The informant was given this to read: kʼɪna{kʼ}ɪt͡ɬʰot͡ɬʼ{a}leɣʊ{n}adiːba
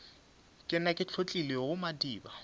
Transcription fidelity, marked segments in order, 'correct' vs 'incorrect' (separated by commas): correct, incorrect, incorrect